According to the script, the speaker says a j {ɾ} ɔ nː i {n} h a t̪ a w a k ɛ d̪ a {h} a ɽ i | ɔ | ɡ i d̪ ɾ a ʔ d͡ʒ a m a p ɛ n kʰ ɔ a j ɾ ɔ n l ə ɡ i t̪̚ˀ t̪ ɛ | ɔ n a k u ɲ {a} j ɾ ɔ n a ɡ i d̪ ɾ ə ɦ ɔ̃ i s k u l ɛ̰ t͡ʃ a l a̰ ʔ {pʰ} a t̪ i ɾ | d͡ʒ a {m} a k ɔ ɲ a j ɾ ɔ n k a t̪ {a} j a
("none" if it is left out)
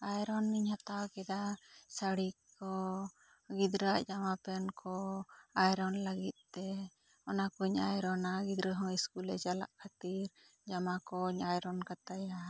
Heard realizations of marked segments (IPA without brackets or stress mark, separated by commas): ɾ, ɲ, s, a, kʰ, m, a